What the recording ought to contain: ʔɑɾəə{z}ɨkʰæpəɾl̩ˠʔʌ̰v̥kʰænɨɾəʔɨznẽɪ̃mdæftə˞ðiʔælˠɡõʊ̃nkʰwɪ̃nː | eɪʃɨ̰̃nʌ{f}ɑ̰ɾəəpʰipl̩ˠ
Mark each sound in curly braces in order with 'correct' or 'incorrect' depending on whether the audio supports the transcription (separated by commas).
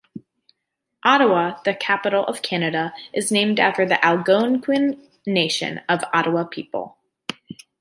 incorrect, incorrect